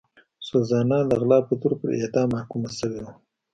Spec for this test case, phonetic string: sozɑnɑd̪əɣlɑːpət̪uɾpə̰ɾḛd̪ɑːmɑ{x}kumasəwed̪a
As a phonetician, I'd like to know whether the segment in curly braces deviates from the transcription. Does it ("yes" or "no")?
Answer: yes